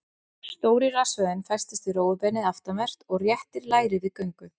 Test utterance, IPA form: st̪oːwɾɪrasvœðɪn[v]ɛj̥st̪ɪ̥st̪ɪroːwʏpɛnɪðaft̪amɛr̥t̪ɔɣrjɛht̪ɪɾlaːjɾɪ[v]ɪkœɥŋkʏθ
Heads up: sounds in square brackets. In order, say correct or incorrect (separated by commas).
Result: incorrect, incorrect